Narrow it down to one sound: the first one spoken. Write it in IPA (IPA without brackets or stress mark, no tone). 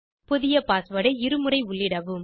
p